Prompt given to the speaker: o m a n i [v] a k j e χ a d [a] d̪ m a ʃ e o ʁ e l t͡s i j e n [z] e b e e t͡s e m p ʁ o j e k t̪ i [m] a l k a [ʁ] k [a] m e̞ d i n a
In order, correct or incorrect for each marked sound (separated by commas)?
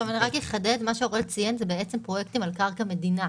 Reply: incorrect, incorrect, correct, correct, correct, correct